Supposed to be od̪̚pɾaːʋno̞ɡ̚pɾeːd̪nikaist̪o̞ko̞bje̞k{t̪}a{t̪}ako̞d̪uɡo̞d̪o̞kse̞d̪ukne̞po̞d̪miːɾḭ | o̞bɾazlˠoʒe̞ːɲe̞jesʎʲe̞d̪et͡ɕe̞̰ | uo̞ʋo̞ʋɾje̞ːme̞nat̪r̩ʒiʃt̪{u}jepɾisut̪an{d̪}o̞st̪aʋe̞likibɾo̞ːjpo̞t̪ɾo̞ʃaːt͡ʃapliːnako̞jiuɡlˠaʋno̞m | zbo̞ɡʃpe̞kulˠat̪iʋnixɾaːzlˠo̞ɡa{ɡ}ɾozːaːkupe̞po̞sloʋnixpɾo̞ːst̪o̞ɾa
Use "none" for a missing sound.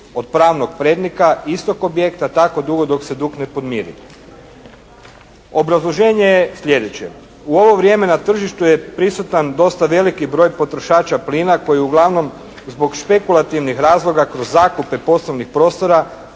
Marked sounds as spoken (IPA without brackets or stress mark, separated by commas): t̪, t̪, u, d̪, k